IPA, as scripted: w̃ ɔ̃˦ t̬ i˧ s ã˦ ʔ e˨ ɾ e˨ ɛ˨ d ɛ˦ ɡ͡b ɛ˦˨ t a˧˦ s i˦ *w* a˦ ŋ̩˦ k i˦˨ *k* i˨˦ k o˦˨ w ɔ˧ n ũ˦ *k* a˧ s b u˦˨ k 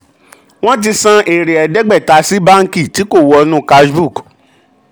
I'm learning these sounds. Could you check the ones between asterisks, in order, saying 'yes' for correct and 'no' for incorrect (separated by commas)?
no, no, yes